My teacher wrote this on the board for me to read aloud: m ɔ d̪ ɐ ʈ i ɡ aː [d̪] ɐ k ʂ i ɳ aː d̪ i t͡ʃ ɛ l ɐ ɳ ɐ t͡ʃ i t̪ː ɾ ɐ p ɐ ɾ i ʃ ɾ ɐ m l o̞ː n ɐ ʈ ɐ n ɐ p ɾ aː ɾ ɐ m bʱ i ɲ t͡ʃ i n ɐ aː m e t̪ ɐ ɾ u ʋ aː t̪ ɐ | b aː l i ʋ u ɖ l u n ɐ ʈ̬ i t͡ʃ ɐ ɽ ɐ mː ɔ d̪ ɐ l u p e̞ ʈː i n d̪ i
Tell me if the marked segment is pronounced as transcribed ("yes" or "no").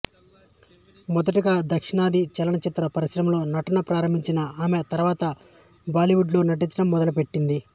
yes